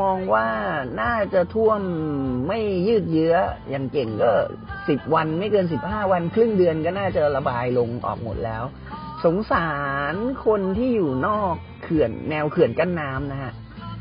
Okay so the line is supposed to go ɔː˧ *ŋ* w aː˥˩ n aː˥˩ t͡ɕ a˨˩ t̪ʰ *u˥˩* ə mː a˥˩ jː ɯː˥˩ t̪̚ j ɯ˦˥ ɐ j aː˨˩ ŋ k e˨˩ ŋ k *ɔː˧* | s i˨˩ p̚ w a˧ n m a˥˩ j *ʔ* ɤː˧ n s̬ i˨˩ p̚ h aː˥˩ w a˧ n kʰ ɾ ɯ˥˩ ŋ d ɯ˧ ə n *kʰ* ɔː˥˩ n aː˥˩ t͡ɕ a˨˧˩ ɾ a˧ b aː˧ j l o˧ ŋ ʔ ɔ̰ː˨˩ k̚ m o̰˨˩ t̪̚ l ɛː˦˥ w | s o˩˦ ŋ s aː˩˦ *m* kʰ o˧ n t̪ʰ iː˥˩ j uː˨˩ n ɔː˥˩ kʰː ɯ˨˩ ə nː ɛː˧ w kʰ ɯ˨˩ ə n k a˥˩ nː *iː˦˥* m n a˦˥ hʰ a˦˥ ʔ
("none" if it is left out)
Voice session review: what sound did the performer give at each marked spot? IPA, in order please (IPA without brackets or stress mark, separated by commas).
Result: ŋ, u˥˩, ɔː˥˩, k, k, n, aː˦˥